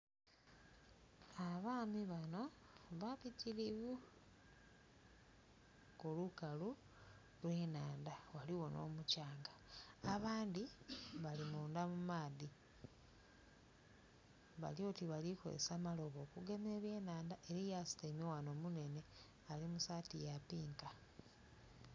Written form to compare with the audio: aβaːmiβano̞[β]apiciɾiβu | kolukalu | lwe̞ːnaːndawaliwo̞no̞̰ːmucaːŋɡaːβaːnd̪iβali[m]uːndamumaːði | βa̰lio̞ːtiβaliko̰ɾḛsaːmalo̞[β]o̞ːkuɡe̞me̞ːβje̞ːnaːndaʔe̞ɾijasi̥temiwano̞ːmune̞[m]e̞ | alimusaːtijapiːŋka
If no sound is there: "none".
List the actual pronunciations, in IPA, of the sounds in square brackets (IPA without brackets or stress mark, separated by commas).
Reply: β, m, β, n